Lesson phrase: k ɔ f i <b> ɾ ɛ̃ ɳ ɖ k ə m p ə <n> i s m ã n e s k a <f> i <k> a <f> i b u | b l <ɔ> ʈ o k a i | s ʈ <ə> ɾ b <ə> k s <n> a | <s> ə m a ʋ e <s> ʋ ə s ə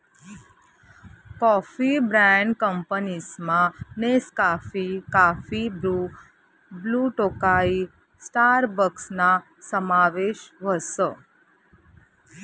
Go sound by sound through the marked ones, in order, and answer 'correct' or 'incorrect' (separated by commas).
correct, correct, correct, correct, correct, incorrect, incorrect, correct, correct, correct, incorrect